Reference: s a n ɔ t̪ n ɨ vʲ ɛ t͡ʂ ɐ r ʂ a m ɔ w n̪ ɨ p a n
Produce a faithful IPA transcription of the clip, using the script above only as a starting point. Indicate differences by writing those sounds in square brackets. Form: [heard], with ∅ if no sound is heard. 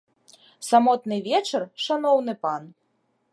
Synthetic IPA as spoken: s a [m] ɔ t̪ n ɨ vʲ ɛ t͡ʂ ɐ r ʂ a [n] ɔ w n̪ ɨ p a n